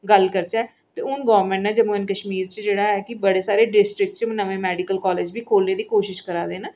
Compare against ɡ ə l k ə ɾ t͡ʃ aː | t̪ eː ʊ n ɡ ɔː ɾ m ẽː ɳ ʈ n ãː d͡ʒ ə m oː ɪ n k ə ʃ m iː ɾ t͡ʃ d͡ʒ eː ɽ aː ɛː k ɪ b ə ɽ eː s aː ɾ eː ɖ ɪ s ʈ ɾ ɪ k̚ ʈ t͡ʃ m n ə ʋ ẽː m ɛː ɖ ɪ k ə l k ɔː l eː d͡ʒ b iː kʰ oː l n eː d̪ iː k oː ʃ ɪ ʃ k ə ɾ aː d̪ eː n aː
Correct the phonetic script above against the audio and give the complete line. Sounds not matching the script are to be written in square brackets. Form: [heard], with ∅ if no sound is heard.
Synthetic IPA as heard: ɡ ə l k ə ɾ t͡ʃ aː | t̪ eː ʊ n ɡ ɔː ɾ m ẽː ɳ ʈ n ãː d͡ʒ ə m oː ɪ n k ə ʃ m iː ɾ t͡ʃ d͡ʒ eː ɽ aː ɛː k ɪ b ə ɽ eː s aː ɾ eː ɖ ɪ s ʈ ɾ ɪ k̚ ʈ t͡ʃ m n ə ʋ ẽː m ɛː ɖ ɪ k ə l k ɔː l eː d͡ʒ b iː kʰ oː l n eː d̪ iː k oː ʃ ɪ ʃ k ə ɾ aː d̪ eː n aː

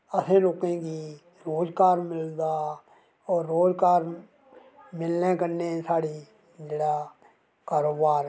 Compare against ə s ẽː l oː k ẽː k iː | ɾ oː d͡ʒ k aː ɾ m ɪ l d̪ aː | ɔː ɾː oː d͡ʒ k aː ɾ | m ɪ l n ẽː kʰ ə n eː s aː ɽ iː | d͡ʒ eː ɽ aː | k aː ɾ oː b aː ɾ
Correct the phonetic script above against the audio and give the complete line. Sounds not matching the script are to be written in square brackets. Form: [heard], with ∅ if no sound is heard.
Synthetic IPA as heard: ə s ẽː l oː k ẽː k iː | ɾ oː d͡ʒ k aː ɾ m ɪ l d̪ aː | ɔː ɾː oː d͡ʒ k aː ɾ | m ɪ l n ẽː [k] ə n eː s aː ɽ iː | d͡ʒ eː ɽ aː | k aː ɾ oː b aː ɾ

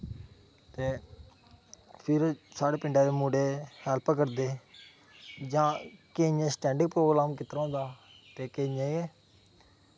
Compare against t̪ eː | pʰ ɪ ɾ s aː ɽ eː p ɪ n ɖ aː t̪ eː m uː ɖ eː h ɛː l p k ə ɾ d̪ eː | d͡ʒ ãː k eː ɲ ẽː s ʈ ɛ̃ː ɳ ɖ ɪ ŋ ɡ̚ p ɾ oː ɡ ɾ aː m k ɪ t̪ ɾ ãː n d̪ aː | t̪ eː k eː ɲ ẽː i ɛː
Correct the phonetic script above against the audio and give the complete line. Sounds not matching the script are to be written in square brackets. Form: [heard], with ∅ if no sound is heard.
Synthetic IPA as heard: t̪ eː | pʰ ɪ ɾ s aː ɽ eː p ɪ [ɳ] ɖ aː [d̪] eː m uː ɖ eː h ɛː l p k ə ɾ d̪ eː | d͡ʒ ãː k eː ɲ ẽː s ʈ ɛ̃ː ɳ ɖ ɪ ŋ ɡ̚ p ɾ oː ɡ ɾ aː m k ɪ t̪ ɾ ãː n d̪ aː | t̪ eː k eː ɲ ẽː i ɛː

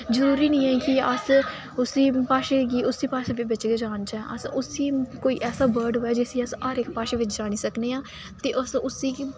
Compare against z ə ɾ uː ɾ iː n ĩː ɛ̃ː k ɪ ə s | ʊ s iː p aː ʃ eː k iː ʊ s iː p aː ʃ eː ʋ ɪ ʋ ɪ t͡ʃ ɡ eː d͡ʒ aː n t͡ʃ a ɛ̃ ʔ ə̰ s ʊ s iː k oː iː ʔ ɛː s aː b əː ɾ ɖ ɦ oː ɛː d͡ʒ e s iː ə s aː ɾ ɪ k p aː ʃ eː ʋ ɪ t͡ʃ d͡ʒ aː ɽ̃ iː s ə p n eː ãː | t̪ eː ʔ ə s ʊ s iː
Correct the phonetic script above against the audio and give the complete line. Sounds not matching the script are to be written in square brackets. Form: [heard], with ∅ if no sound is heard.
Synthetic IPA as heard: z ə ɾ uː ɾ iː n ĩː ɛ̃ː k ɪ ə s | ʊ s iː p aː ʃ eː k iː ʊ s iː p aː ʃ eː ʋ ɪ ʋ ɪ t͡ʃ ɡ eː d͡ʒ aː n t͡ʃ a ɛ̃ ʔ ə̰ s ʊ s iː k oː iː ʔ ɛː s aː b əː ɾ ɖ ɦ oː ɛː d͡ʒ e s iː ə s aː ɾ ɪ k p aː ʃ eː ʋ ɪ t͡ʃ d͡ʒ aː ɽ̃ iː s ə [k] n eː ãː | t̪ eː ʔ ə s ʊ s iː

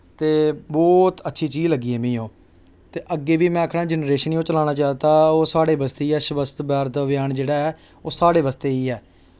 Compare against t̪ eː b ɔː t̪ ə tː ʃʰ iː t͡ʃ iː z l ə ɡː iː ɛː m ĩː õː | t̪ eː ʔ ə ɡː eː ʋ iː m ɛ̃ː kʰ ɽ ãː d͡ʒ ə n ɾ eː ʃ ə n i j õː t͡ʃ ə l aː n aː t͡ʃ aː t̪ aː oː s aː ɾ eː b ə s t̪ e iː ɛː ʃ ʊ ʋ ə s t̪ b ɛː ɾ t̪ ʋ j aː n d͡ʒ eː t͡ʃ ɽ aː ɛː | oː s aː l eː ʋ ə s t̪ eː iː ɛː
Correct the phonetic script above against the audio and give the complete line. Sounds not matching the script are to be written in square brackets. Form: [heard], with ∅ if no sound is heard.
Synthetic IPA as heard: t̪ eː b ɔː t̪ ə tː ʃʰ iː t͡ʃ iː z l ə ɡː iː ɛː m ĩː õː | t̪ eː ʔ ə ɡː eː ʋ iː m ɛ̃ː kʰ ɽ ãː d͡ʒ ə n ɾ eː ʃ ə n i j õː t͡ʃ ə l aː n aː t͡ʃ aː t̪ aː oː s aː [ɽ] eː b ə s t̪ e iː ɛː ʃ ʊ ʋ ə s t̪ b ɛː ɾ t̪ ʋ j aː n d͡ʒ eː [∅] ɽ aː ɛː | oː s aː [ɽ] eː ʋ ə s t̪ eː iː ɛː

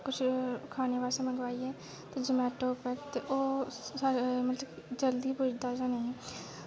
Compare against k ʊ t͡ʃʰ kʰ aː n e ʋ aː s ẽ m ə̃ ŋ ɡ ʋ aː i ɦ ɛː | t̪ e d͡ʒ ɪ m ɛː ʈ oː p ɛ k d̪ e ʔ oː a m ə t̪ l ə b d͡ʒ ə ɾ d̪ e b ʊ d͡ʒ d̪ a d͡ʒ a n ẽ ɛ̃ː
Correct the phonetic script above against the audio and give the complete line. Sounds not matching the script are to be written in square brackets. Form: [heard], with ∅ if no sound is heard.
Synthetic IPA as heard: k ʊ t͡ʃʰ kʰ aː n e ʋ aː s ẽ m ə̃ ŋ ɡ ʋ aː i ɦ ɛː | t̪ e d͡ʒ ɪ m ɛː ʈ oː p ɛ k [t̪] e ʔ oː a m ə t̪ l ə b d͡ʒ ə [l] d̪ [i] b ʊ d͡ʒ d̪ a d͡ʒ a n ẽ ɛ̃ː

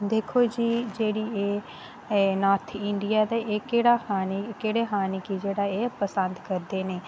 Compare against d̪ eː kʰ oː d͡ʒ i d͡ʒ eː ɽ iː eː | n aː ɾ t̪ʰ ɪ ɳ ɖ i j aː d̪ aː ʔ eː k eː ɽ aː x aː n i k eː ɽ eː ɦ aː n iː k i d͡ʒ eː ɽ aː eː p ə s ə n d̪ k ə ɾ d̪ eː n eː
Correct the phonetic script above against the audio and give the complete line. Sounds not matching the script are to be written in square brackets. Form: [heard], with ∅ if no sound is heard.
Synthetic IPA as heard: d̪ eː kʰ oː d͡ʒ [iː] d͡ʒ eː ɽ iː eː | n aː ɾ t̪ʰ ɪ ɳ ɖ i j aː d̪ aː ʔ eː k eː ɽ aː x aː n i k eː ɽ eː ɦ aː n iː k i d͡ʒ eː ɽ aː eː p ə s ə n d̪ k ə ɾ d̪ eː n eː

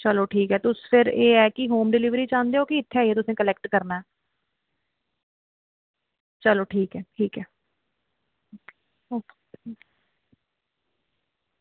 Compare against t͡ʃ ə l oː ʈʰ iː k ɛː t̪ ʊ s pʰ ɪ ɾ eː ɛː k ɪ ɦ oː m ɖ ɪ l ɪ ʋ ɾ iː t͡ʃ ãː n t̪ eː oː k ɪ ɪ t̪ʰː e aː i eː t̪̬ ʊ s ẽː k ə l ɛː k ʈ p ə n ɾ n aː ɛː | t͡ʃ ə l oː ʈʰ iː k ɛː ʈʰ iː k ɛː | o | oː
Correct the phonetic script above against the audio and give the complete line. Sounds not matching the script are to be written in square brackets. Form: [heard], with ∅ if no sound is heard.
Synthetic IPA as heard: t͡ʃ ə l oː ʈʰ iː k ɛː t̪ ʊ s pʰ ɪ ɾ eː ɛː k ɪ ɦ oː m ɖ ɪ l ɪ ʋ ɾ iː t͡ʃ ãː n [d̪] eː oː k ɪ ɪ t̪ʰː e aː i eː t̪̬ ʊ s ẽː k ə l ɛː k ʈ [k] ə [∅] ɾ n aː ɛː | t͡ʃ ə l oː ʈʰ iː k ɛː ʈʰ iː k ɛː | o | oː

